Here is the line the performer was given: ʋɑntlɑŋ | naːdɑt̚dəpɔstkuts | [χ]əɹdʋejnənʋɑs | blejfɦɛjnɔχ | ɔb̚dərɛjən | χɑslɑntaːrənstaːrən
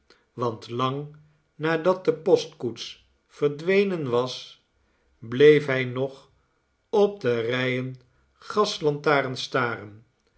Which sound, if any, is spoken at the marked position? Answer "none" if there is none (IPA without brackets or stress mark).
f